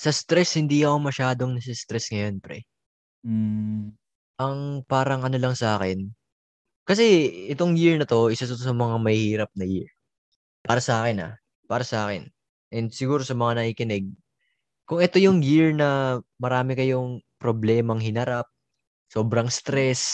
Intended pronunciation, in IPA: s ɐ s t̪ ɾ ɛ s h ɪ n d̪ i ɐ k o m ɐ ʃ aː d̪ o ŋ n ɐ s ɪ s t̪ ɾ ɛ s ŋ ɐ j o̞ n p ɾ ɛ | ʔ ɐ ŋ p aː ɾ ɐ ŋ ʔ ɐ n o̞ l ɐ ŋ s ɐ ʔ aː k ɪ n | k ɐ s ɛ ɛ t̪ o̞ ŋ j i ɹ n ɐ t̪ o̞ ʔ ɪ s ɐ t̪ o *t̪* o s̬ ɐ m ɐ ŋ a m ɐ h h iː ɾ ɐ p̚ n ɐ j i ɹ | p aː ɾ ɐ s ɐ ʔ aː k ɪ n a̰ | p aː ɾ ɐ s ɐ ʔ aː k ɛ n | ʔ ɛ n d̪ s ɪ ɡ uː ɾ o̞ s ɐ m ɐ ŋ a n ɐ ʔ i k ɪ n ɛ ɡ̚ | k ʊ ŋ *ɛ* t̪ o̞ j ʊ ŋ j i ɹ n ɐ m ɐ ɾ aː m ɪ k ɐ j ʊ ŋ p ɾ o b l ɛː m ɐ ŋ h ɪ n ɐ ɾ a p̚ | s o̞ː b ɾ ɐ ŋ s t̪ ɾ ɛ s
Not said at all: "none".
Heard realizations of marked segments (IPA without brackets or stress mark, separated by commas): t̪, ɛ